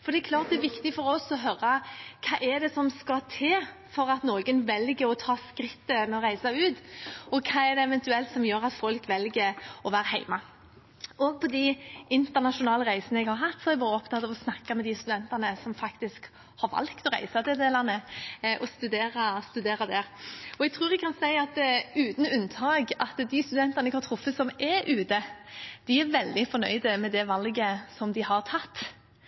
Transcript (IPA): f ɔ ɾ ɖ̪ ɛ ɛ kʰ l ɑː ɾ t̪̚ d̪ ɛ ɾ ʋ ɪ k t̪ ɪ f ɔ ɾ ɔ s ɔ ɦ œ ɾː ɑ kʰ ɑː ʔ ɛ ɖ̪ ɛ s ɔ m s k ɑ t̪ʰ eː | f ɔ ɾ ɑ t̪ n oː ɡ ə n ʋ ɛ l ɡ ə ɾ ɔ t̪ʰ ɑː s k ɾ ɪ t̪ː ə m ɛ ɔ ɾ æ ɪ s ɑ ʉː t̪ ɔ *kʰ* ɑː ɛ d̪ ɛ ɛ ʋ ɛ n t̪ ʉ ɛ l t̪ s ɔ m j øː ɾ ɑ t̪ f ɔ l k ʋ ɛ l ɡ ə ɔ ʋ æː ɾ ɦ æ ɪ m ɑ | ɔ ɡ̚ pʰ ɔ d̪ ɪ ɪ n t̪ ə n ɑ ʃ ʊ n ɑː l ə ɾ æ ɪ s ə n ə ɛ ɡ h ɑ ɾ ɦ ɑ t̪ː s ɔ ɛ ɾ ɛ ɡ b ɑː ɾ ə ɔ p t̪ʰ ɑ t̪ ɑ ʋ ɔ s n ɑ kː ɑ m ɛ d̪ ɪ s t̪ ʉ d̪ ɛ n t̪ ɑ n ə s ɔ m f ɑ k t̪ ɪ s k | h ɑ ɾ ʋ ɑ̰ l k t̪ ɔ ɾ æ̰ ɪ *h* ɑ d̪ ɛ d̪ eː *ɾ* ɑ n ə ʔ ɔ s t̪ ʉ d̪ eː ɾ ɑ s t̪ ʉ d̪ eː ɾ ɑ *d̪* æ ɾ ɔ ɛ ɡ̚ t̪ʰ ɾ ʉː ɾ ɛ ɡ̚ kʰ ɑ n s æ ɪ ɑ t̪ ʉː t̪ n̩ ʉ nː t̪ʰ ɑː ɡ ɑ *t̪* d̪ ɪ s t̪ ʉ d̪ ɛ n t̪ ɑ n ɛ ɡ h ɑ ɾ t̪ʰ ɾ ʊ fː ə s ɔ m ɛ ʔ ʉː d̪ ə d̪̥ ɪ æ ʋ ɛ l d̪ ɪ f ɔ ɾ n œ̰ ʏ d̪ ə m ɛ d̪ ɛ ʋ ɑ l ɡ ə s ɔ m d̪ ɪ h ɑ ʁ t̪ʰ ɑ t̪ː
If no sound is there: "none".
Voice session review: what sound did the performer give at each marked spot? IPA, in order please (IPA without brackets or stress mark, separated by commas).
kʰ, s, l, d̪, t̪